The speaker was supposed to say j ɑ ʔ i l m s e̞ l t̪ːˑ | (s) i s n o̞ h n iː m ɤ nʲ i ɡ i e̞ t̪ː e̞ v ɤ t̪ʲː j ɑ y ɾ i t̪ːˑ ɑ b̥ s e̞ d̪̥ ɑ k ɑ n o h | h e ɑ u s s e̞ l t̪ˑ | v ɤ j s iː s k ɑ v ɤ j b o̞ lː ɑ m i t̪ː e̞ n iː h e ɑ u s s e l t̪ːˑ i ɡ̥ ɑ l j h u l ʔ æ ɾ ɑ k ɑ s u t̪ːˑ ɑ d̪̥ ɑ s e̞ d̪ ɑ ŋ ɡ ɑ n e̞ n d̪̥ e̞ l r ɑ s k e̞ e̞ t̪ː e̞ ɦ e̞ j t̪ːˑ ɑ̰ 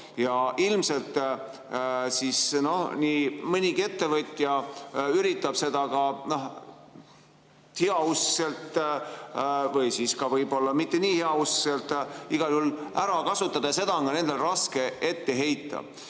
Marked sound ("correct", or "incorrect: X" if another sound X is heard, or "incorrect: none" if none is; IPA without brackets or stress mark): correct